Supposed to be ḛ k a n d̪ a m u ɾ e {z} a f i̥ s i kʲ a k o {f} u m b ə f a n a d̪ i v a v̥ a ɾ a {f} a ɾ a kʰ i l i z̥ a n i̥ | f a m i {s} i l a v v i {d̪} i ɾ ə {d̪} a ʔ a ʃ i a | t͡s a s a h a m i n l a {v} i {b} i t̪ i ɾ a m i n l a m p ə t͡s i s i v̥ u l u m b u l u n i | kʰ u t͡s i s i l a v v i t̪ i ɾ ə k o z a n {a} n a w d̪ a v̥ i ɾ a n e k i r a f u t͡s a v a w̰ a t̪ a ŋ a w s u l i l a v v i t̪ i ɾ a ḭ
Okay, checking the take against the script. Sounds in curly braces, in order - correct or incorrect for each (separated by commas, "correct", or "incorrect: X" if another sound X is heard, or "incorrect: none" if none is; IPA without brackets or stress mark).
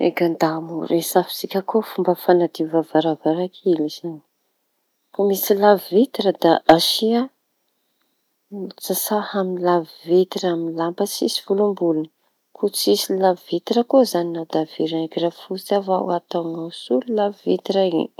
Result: incorrect: s, correct, incorrect: v, correct, incorrect: t̪, correct, correct, incorrect: v, incorrect: i